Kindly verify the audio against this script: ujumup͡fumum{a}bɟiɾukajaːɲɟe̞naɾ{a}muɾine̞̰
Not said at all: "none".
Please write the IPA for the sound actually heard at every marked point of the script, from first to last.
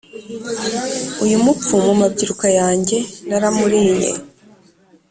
a, a

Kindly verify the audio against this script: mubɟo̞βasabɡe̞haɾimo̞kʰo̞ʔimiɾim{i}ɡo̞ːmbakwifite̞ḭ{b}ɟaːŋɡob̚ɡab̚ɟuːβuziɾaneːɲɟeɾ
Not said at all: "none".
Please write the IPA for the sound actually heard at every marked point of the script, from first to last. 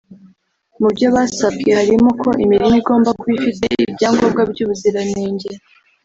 i, b

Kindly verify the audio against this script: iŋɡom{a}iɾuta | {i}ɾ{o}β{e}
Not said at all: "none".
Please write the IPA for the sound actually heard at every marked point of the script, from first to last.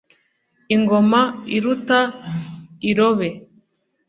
a, i, o, e

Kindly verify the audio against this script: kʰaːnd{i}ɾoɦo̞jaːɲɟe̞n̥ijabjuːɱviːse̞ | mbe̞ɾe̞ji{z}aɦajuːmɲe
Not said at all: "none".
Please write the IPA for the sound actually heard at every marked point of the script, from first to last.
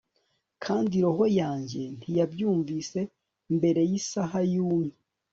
i, s

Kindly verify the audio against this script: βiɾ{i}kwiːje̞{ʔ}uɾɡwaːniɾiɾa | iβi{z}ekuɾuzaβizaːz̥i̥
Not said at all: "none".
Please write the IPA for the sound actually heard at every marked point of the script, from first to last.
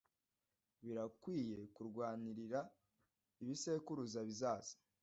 a, k, s

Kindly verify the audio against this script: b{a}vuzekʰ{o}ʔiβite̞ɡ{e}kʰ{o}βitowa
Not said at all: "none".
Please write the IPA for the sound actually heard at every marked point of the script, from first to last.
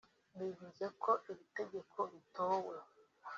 i, o, e, o

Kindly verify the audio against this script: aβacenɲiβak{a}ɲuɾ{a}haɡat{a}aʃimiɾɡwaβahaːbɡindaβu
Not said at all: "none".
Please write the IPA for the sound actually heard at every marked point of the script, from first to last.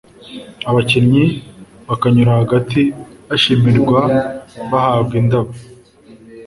a, a, i

